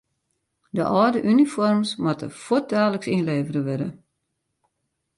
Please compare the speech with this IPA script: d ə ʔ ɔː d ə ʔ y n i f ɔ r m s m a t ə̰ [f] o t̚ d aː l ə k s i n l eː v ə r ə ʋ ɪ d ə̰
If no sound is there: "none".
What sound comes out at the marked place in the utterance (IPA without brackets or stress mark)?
f